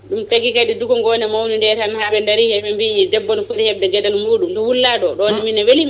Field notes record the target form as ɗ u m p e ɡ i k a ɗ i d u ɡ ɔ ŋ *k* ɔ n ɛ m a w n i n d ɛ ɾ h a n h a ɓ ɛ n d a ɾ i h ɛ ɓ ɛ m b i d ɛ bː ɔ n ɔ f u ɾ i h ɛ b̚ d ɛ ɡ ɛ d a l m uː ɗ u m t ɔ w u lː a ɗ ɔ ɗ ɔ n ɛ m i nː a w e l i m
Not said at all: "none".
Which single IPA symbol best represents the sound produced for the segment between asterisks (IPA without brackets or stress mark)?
ɡ